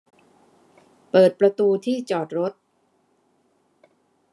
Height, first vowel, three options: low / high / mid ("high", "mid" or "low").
mid